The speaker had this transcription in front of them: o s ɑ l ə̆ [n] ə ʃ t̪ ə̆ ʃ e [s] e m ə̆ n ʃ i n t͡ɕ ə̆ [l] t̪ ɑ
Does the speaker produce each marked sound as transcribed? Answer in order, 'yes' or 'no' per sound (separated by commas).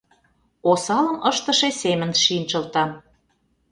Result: no, yes, yes